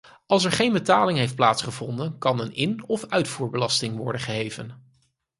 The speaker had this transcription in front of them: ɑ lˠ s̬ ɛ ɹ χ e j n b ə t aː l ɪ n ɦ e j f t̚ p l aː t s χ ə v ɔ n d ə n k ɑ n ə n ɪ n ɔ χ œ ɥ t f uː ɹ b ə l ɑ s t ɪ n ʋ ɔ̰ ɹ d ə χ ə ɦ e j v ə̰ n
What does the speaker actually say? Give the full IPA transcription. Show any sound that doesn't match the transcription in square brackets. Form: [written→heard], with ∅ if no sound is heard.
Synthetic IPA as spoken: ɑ lˠ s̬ ɛ ɹ χ e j n b ə t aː l ɪ [n→ŋ] ɦ e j f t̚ p l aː t s χ ə v ɔ n d ə n k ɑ n ə n ɪ n ɔ [χ→f] œ ɥ t f uː ɹ b ə l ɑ s t ɪ [n→ŋ] ʋ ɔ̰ ɹ d ə χ ə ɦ e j v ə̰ n